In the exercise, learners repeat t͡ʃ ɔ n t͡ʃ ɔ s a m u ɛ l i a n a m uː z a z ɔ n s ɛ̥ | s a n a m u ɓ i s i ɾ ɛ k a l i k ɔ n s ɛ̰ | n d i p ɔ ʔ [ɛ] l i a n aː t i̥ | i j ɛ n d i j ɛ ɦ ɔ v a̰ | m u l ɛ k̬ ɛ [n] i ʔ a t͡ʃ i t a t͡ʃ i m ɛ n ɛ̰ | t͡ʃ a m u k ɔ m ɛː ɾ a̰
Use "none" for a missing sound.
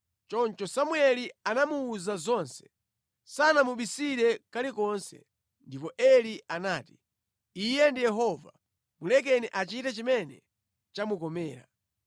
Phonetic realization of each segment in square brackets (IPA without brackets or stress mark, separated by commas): ɛ, n